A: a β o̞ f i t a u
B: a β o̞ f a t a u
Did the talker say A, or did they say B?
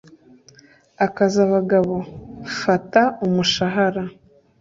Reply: B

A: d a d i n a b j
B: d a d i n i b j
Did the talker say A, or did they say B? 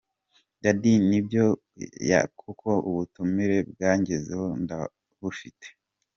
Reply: B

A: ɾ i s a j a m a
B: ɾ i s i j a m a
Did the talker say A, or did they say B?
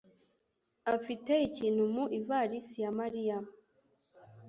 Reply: B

